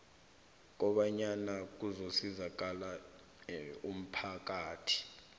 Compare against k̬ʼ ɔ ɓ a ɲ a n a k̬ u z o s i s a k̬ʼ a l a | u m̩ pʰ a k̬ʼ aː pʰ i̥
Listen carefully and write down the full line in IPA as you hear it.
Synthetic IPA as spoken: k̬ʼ ɔ ɓ a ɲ a n a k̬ u z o s i z a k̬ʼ a l a | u m̩ pʰ a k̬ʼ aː tʰ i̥